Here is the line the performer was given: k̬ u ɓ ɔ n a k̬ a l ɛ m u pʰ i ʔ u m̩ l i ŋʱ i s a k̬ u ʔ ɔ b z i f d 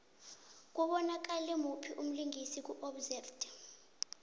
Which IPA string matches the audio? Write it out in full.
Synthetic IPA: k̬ u ɓ ɔ n a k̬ a l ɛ m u pʰ i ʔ u m̩ l i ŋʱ i s i k̬ u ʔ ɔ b z ɛ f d